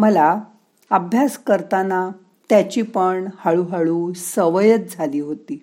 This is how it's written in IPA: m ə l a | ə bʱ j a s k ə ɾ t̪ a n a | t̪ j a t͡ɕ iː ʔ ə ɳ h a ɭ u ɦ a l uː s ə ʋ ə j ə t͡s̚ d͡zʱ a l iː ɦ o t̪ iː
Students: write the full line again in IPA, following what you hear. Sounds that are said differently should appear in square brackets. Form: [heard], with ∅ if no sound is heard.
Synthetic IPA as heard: m ə l a | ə bʱ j a s k ə ɾ t̪ a n a | t̪ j a t͡ɕ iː [p] ə ɳ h a ɭ u ɦ a [ɭ] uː s ə ʋ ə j ə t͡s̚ d͡zʱ a l iː ɦ o t̪ iː